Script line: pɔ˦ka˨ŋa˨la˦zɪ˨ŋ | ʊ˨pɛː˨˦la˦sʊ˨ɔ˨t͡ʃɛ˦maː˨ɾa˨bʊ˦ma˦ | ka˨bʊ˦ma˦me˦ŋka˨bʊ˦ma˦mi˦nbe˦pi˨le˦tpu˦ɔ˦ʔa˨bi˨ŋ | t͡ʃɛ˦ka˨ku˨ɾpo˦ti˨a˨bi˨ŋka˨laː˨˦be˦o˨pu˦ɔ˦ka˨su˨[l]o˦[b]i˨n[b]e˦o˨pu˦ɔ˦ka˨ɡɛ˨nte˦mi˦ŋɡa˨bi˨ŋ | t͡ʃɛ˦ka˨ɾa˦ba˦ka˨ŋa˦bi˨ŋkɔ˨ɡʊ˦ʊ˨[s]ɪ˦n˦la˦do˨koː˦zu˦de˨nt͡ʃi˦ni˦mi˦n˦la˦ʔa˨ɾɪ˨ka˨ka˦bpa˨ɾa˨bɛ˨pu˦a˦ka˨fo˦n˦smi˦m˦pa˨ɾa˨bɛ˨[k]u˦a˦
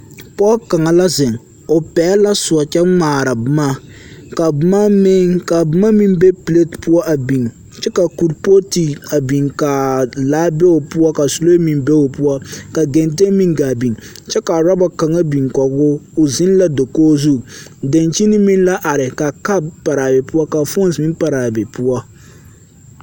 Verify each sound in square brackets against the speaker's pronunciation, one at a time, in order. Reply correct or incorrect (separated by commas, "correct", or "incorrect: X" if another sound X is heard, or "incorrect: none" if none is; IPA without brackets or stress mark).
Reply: correct, incorrect: m, correct, incorrect: z, incorrect: p